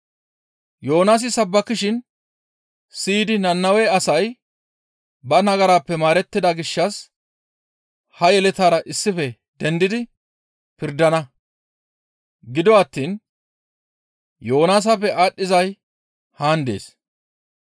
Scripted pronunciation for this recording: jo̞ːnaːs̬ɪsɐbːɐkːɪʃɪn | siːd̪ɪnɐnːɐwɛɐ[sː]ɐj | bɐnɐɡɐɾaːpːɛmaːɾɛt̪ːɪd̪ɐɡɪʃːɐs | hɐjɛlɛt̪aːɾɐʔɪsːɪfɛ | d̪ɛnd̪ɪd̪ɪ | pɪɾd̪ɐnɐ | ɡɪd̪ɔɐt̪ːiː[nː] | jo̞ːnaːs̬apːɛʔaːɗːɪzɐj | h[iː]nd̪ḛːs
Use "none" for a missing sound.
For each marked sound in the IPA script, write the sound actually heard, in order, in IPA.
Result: s, n, aː

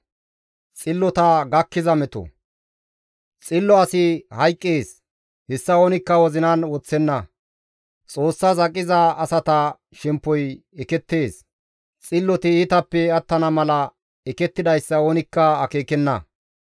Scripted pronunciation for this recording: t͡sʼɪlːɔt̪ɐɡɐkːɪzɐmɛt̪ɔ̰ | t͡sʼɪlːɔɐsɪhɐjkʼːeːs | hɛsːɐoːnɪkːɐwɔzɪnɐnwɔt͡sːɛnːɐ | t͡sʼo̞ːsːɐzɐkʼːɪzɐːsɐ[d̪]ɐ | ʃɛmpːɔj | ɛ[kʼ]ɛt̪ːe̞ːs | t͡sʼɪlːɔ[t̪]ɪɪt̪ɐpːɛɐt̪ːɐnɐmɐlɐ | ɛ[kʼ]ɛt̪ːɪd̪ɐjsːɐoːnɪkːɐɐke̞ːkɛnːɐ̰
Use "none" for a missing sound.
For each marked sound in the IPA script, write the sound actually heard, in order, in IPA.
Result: t̪, k, t̪, k

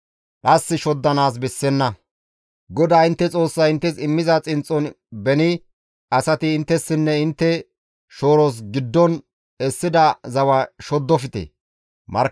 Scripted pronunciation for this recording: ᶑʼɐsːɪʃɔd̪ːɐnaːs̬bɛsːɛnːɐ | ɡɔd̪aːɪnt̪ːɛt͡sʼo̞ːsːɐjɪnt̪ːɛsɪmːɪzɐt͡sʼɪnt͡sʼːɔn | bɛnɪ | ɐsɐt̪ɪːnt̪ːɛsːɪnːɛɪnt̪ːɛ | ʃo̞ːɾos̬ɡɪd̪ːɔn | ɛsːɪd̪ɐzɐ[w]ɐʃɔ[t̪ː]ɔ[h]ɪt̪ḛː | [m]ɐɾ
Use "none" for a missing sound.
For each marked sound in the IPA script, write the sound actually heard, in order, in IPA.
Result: w, d̪ː, f, m

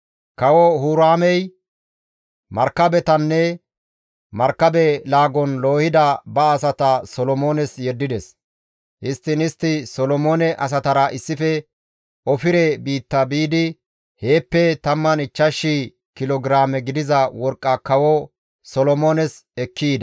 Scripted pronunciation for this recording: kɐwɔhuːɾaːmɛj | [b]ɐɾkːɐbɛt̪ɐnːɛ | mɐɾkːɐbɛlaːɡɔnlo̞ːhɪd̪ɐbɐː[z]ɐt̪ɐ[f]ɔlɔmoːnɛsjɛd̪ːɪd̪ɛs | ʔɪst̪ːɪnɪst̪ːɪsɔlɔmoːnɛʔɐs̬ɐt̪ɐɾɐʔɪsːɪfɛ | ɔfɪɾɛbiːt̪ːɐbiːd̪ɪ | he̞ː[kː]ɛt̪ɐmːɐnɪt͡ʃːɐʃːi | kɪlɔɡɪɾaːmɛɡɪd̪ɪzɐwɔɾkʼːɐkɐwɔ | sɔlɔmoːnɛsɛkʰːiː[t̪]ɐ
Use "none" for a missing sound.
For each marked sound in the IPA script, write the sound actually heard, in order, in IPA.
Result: m, s, s, pː, d̪

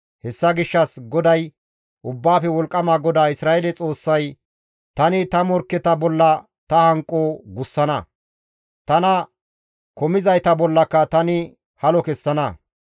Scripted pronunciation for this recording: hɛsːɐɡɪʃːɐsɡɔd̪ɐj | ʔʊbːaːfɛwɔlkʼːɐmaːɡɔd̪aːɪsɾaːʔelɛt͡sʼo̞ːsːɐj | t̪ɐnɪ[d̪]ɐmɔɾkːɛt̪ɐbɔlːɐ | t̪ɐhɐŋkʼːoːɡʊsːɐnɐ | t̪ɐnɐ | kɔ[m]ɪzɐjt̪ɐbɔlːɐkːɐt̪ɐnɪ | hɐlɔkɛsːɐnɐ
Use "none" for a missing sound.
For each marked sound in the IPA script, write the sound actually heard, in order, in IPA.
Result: t̪, m

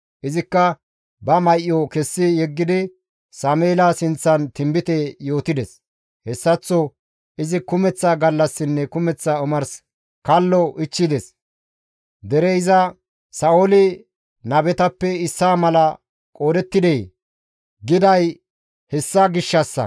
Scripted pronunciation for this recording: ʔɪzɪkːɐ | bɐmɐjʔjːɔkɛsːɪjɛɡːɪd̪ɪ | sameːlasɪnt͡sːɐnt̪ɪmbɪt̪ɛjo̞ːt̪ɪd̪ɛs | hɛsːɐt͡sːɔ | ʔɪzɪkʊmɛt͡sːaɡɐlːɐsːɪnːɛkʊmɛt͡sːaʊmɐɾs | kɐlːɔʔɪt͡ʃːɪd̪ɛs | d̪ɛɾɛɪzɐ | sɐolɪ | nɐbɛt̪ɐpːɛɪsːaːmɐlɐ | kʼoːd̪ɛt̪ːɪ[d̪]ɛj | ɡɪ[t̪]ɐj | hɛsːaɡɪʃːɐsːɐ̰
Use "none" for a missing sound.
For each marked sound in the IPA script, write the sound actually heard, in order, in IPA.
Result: d̪, d̪

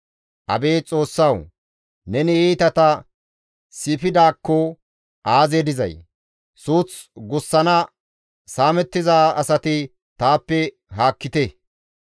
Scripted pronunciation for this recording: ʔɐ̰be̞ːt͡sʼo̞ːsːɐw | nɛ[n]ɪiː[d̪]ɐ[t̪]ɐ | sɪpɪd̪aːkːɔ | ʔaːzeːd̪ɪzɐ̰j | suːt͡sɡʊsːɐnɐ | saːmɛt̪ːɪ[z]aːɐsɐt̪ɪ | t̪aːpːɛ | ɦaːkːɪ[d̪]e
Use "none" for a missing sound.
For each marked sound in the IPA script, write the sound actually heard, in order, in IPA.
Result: n, t̪, t̪, z, t̪

